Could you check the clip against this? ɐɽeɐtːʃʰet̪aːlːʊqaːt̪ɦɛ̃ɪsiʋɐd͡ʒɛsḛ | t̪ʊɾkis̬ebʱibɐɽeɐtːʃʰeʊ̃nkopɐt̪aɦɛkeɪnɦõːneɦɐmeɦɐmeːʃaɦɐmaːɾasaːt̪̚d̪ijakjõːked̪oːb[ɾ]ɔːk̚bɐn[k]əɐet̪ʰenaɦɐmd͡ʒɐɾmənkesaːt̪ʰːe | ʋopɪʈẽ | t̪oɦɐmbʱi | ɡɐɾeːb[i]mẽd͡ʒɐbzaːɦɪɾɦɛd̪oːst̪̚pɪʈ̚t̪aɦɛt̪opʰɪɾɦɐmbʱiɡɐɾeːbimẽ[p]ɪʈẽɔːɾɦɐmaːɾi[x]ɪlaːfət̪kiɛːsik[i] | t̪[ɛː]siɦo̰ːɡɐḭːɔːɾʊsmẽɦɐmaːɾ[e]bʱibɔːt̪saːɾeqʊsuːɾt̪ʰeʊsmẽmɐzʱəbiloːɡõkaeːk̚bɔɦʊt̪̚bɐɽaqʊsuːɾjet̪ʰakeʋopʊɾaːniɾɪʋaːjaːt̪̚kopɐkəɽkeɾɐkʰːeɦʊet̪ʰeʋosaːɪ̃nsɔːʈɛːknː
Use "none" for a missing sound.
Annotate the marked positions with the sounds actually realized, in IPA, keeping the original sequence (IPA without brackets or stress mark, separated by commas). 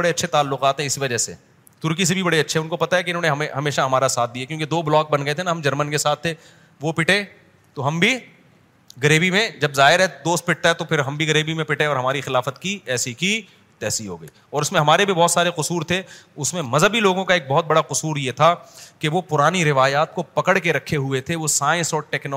l, ɡ, i, p, x, i, ɛː, e